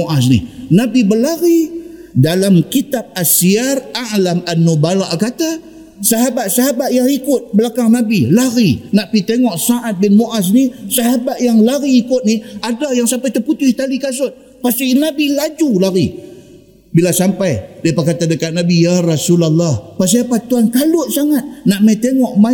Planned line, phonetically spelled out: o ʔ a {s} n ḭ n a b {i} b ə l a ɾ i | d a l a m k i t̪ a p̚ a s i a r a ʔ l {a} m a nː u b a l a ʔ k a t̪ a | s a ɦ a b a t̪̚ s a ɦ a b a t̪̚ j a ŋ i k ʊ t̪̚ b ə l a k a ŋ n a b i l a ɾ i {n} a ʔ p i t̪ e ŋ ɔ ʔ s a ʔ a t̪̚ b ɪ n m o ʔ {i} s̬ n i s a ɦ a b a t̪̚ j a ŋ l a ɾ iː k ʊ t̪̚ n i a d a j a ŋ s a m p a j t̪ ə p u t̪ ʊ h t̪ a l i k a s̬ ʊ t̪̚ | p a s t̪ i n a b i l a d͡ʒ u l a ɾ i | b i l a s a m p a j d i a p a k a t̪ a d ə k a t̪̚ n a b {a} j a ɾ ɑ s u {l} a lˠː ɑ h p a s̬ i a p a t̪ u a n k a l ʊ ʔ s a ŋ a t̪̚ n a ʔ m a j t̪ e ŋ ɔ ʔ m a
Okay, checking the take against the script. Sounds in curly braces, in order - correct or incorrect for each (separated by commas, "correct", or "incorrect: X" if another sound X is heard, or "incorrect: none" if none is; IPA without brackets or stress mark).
correct, correct, correct, correct, incorrect: a, incorrect: i, correct